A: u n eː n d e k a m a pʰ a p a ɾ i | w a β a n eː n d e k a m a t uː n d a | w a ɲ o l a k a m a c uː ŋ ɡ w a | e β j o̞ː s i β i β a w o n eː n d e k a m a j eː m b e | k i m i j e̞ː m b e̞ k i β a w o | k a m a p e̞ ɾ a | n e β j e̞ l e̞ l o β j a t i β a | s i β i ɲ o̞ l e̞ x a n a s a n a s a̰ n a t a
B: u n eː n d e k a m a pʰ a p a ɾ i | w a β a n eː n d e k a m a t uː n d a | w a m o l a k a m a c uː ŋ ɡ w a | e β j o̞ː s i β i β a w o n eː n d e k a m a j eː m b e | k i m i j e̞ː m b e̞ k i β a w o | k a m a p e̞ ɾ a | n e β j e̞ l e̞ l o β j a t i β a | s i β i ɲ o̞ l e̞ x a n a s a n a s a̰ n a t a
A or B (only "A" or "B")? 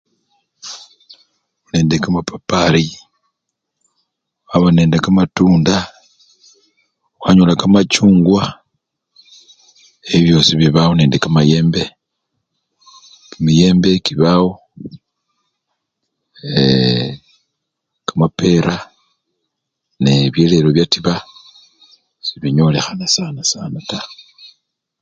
A